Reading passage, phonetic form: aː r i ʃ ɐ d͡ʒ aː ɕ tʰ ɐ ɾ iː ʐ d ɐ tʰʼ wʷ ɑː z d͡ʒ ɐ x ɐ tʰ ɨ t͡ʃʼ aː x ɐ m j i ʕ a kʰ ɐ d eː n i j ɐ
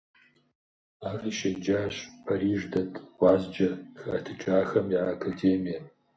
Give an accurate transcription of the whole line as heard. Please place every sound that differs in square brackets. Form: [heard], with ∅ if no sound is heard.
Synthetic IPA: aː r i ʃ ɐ d͡ʒ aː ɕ [pʰ] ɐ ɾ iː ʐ d ɐ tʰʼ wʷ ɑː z d͡ʒ ɐ x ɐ tʰ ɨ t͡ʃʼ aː x ɐ m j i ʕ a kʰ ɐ d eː [m] i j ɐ